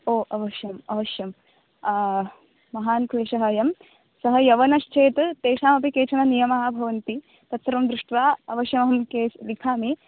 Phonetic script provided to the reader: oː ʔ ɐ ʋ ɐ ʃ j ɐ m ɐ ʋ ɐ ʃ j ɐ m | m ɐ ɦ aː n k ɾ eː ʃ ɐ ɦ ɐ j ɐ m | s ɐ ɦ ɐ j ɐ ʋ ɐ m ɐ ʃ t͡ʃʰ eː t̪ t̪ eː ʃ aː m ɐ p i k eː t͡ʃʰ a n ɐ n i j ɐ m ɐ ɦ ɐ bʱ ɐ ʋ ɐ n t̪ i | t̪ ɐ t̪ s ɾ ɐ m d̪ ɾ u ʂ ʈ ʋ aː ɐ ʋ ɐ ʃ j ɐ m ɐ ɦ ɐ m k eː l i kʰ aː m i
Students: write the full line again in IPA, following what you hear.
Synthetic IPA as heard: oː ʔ ɐ ʋ ɐ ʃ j ɐ m ɐ ʋ ɐ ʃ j ɐ m | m ɐ ɦ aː n k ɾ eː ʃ ɐ ɦ ɐ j ɐ m | s ɐ ɦ ɐ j ɐ ʋ ɐ n ɐ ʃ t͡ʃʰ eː t̪ t̪ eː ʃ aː m ɐ p i k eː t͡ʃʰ ɐ n ɐ n i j ɐ m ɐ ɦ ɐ bʱ ɐ ʋ ɐ n t̪ i | t̪ ɐ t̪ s ɾ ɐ m d̪ ɾ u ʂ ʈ ʋ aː ɐ ʋ ɐ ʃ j ɐ m ɐ ɦ ɐ m k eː l i kʰ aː m i